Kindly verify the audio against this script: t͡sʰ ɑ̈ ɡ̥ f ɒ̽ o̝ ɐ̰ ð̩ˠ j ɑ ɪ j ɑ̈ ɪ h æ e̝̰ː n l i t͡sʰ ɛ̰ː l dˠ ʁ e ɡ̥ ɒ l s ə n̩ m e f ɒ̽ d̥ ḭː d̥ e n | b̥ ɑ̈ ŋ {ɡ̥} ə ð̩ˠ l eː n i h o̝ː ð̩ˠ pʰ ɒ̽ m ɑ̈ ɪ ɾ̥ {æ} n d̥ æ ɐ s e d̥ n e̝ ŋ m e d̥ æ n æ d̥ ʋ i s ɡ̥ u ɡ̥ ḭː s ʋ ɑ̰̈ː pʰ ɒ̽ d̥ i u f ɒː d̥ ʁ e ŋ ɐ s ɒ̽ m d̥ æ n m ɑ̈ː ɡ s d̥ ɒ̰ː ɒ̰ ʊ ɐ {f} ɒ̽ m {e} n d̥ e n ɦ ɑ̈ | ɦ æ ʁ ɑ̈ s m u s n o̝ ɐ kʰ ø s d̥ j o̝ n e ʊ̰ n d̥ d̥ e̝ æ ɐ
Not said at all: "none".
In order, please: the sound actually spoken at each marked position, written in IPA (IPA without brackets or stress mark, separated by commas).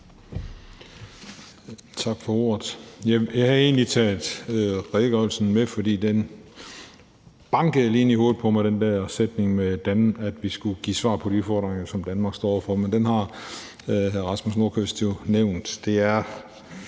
ɡ̥, e, f, e